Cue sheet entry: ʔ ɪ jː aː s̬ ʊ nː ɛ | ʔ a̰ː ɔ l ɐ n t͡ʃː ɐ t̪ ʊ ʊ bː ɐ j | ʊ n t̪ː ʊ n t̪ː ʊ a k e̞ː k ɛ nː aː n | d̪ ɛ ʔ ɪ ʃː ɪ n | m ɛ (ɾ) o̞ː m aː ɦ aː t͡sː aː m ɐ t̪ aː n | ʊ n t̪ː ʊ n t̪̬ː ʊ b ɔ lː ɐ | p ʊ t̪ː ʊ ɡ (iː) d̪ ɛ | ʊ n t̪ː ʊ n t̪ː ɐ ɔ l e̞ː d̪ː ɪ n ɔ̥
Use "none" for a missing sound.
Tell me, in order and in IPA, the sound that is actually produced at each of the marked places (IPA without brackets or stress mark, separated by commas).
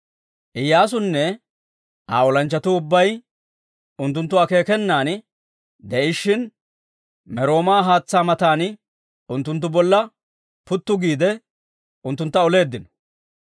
ɾ, iː